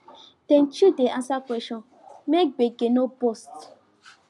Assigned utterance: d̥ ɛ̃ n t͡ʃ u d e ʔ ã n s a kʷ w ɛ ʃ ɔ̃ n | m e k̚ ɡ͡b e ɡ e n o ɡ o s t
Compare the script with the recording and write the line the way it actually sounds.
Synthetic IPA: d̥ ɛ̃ n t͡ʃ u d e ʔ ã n s a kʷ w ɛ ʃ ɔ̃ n | m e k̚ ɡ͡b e ɡ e n o b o s t